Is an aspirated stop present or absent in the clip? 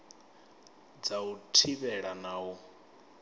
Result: present